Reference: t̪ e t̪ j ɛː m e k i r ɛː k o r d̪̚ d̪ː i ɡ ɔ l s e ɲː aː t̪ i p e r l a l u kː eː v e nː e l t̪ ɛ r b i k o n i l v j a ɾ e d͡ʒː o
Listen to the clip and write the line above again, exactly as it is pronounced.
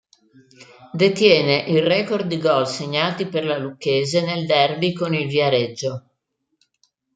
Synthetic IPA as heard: d̪ e t̪ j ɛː n e ʔ i r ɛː k o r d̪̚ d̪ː i ɡ ɔ l s e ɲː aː t̪ i p e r l a l u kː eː z e n e l d̪ ɛ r b i k o n i l v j a ɾ e d͡ʒː o